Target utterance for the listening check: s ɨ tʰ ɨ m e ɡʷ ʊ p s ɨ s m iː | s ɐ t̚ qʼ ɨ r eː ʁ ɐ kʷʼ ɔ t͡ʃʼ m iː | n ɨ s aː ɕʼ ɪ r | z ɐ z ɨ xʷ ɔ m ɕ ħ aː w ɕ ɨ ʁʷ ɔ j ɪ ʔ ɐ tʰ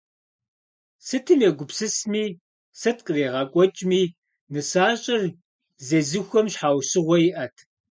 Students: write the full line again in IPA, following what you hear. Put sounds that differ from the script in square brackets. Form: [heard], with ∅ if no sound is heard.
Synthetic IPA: s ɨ tʰ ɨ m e ɡʷ ʊ p s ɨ s m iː | s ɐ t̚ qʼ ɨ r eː ʁ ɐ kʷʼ ɔ t͡ʃʼ m iː | n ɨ s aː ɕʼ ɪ r | z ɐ z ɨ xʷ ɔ m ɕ ħ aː w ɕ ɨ ʁʷ ɔ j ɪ ʔ ɐ tʰ